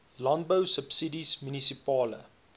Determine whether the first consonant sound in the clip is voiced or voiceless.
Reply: voiced